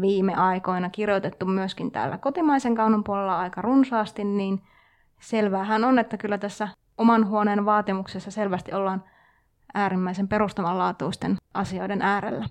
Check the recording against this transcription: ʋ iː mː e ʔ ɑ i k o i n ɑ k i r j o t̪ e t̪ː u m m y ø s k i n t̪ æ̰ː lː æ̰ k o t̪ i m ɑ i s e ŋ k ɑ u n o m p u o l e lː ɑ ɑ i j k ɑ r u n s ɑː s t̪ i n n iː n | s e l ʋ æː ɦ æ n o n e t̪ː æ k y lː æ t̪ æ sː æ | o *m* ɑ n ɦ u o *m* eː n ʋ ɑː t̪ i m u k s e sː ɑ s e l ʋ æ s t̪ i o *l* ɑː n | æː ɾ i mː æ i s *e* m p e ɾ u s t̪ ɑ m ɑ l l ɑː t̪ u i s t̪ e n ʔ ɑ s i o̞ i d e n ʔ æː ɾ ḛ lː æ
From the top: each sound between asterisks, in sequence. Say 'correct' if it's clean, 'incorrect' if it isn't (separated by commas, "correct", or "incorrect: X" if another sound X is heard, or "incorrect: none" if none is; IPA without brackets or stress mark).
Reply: correct, incorrect: n, incorrect: lː, correct